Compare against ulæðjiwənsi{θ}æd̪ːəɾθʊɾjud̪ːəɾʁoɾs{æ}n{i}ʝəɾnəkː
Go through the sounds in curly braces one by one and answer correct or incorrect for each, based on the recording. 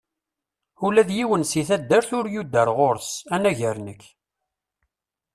correct, correct, incorrect

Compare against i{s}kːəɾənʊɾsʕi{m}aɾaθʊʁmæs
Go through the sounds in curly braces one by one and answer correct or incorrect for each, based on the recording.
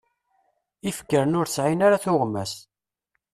incorrect, incorrect

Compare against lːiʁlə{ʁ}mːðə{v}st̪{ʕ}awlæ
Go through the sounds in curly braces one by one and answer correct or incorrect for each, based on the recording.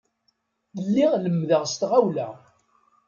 incorrect, incorrect, incorrect

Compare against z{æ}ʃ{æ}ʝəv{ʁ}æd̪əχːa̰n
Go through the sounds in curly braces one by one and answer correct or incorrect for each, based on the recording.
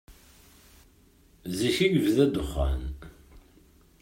incorrect, incorrect, incorrect

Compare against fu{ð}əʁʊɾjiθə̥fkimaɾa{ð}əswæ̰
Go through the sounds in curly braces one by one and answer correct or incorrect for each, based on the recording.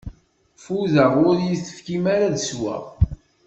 correct, correct

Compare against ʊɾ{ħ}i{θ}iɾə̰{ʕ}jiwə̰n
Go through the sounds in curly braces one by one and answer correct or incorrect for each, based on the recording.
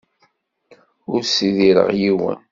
incorrect, incorrect, incorrect

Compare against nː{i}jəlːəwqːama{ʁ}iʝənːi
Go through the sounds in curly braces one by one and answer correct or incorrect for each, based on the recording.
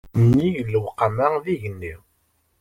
correct, incorrect

